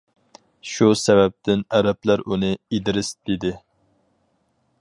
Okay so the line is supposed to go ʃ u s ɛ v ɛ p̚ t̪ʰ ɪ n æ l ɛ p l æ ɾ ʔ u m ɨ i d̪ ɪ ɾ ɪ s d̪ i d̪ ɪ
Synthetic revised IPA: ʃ u s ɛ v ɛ p̚ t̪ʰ ɪ n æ ɾ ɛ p l æ ɾ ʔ u n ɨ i d̪ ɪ ɾ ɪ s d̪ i d̪ ɪ